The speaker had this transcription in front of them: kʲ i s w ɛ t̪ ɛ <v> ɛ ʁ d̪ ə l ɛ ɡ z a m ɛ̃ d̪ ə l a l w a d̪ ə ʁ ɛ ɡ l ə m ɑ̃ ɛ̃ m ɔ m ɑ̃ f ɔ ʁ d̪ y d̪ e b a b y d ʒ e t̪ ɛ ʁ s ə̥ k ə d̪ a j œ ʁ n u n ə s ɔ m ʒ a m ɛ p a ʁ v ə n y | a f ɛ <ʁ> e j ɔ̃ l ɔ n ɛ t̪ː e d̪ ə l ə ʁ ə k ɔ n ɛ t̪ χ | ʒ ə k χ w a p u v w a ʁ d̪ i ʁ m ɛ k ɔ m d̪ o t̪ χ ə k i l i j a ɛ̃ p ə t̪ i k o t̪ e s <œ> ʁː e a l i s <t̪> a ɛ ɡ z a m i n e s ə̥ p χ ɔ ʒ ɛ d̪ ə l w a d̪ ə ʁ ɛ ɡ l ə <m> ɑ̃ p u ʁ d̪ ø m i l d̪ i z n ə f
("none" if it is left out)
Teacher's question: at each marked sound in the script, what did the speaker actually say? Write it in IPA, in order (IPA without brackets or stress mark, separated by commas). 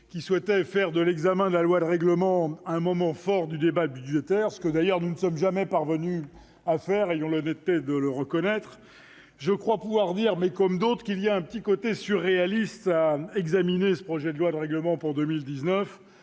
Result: f, ʁ, y, t̪, m